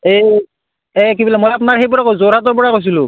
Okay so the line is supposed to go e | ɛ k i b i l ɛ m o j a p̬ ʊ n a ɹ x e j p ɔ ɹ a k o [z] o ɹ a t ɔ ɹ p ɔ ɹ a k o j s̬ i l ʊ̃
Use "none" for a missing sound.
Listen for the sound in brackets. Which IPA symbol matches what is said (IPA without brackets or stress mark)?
z